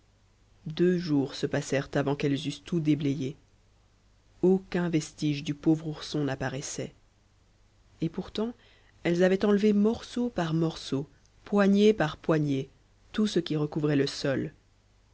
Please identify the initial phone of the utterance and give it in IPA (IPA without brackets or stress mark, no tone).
d̪